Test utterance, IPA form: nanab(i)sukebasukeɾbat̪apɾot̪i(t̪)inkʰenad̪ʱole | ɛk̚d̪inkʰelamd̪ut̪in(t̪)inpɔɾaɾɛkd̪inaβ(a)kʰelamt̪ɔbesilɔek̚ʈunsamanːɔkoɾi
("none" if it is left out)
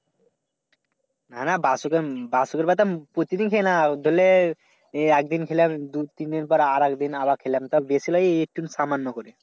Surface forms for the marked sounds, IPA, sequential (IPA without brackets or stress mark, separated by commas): a, d̪, d̪, a